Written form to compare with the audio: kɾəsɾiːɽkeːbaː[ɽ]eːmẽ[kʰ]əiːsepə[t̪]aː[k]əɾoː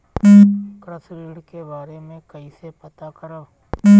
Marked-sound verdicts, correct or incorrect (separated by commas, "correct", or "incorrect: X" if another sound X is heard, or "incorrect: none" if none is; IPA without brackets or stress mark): incorrect: ɾ, incorrect: k, correct, correct